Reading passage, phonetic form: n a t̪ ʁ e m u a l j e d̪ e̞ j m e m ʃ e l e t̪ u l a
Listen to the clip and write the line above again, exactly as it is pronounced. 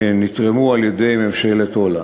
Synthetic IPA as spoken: n i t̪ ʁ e m u a l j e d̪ e̞ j m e m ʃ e l e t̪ o l a